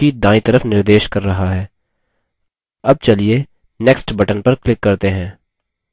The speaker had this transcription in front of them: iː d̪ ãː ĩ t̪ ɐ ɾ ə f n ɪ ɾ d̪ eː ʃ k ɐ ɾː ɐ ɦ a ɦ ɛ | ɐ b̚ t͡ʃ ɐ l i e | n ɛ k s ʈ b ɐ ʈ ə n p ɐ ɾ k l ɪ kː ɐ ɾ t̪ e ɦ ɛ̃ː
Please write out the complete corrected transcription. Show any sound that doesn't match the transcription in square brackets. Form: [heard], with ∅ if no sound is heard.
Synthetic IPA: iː d̪ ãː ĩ t̪ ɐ ɾ ə f n ɪ ɾ d̪ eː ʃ k ɐ ɾː ɐ ɦ a ɦ [ɛː] | ɐ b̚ t͡ʃ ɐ l i e | n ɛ k s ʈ b ɐ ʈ ə n p ɐ ɾ k l ɪ kː ɐ ɾ t̪ e ɦ ɛ̃ː